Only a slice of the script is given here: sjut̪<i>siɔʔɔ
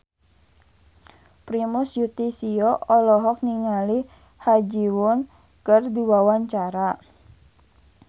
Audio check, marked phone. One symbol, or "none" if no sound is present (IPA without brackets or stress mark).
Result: i